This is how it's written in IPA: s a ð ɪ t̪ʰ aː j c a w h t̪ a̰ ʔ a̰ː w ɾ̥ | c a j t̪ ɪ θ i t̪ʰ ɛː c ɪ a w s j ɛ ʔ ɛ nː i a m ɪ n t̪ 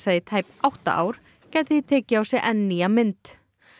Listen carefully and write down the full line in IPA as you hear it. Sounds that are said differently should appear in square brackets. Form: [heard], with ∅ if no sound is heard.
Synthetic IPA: s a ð ɪ t̪ʰ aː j [p] a w h t̪ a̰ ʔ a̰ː w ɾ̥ | c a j t̪ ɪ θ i t̪ʰ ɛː c ɪ a w s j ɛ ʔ ɛ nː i a m ɪ n t̪